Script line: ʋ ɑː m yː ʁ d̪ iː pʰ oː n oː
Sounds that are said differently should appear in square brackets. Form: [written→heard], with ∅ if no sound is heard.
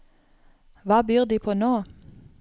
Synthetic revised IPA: ʋ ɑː [m→b] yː ʁ d̪ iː pʰ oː n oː